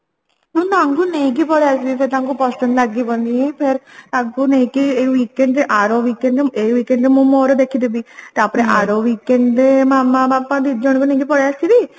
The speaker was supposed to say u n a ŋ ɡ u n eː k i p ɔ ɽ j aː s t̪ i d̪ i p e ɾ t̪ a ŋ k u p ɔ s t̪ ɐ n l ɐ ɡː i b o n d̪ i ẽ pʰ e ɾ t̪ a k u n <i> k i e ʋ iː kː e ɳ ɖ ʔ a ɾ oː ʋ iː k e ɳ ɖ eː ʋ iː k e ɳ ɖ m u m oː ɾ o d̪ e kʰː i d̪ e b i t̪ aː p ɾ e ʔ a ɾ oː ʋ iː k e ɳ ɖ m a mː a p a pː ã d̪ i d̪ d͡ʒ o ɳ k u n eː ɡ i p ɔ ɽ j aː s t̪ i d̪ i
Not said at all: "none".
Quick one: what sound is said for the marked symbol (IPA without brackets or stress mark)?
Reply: e